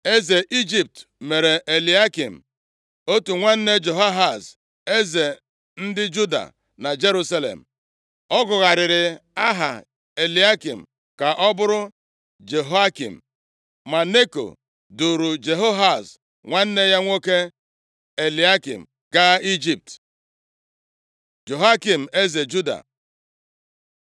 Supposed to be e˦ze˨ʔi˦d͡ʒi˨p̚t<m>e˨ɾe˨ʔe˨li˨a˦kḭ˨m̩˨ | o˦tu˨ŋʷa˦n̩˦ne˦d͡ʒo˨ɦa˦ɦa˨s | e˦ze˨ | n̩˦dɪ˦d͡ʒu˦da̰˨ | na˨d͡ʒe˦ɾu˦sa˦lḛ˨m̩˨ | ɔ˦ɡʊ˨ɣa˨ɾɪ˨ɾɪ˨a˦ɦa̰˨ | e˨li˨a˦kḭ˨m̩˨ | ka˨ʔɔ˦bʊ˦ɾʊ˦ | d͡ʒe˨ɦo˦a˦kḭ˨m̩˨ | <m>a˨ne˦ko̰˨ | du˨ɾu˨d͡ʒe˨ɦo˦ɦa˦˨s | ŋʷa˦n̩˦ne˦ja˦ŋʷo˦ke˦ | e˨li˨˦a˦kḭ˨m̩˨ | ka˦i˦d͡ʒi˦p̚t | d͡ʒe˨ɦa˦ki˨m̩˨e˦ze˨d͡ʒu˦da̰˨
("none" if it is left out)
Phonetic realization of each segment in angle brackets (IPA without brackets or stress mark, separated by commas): m, m